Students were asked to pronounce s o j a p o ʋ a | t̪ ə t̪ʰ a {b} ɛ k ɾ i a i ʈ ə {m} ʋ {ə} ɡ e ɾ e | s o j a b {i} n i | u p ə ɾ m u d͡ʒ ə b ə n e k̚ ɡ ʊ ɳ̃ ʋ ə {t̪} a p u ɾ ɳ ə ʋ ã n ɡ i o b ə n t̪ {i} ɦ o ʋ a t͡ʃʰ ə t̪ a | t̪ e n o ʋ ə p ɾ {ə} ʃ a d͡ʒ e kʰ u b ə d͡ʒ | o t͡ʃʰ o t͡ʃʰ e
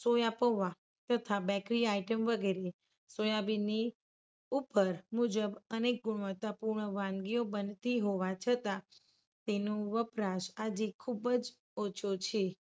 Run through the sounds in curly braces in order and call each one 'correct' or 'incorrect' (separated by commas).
correct, correct, correct, correct, correct, correct, incorrect